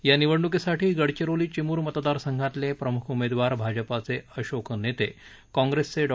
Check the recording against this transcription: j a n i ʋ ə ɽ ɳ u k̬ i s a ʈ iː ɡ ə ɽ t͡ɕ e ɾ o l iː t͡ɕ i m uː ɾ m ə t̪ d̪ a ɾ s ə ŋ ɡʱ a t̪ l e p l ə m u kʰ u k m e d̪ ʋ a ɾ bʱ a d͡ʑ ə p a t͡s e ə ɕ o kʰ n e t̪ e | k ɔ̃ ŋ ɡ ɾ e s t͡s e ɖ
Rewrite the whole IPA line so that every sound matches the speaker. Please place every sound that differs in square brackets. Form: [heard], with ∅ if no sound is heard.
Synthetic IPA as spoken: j a n i ʋ ə ɽ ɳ u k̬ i s a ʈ iː ɡ ə ɽ t͡ɕ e ɾ o l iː t͡ɕ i m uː ɾ m ə t̪ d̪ a ɾ s ə ŋ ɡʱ a t̪ l e p [ɾ] ə m u kʰ u [∅] m e d̪ ʋ a ɾ bʱ a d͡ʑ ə p a t͡s e ə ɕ o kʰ n e t̪ e | k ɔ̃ ŋ ɡ ɾ e s t͡s e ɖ